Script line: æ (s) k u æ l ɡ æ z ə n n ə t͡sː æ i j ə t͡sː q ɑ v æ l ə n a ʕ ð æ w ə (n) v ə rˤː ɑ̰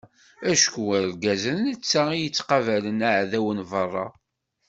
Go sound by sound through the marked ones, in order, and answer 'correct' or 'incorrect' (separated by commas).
incorrect, correct